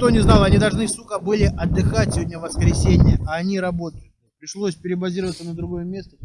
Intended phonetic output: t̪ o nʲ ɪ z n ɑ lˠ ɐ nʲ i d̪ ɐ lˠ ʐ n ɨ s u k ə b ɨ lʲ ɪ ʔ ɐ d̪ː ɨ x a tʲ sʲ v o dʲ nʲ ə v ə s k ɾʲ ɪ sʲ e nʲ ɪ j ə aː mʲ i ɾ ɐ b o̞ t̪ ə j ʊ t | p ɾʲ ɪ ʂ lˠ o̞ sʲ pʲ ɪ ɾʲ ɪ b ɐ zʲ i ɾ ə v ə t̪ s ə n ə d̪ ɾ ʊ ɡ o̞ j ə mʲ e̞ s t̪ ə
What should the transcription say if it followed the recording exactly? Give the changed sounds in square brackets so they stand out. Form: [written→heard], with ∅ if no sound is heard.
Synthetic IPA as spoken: t̪ o nʲ ɪ z n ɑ lˠ ɐ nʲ i d̪ ɐ lˠ ʐ n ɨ s u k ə b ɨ lʲ ɪ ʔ ɐ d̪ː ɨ x a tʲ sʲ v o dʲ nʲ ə v ə s k ɾʲ ɪ sʲ e nʲ ɪ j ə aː [mʲ→nʲ] i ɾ ɐ b o̞ t̪ ə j ʊ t | p ɾʲ ɪ ʂ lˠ o̞ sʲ pʲ ɪ ɾʲ ɪ b ɐ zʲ i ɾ ə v ə t̪ s ə n ə d̪ ɾ ʊ ɡ o̞ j ə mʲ e̞ s t̪ ə